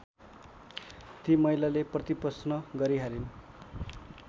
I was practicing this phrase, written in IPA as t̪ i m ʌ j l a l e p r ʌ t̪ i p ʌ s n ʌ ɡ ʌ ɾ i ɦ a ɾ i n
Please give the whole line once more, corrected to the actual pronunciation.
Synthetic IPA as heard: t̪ i m ʌ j l a l e p r ʌ t̪ i p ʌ s n ʌ ɡ ʌ ɾ i ɦ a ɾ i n